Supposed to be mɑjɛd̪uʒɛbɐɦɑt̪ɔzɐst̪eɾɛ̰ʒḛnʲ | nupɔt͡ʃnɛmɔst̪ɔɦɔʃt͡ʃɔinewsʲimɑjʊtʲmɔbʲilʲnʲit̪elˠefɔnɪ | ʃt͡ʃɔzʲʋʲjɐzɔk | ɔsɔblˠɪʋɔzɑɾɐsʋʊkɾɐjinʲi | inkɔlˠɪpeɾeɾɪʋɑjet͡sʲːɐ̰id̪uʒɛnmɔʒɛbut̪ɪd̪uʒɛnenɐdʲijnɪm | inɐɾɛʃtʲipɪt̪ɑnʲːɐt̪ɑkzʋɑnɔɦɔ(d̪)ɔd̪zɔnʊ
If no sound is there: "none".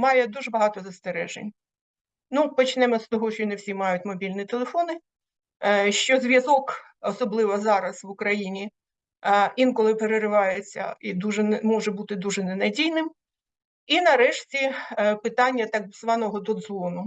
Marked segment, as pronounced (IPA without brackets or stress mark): d̪